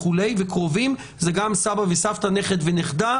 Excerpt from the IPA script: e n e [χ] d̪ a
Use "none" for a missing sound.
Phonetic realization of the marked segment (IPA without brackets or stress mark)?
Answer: χ